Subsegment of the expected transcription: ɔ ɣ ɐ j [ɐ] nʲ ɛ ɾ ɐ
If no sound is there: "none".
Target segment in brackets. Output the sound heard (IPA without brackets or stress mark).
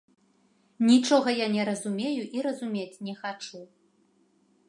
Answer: a